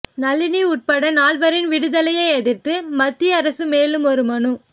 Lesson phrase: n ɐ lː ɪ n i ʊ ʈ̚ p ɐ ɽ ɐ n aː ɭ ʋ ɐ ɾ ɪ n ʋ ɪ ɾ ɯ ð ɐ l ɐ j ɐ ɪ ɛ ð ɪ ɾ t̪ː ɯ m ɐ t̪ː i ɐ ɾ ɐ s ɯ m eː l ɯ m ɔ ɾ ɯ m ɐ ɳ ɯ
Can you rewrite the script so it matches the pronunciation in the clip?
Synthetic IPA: n ɐ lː ɪ n i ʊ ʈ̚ p ɐ ɽ ɐ n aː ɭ ʋ ɐ ɾ ɪ n ʋ ɪ ɽ ɯ ð ɐ l ɐ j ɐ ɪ ɛ ð ɪ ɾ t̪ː ɯ m ɐ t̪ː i ɐ ɾ ɐ s ɯ m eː l ɯ m ɔ ɾ ɯ m ɐ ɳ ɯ